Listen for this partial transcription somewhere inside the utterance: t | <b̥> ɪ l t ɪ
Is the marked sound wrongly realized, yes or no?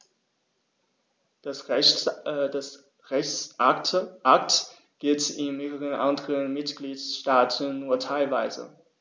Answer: yes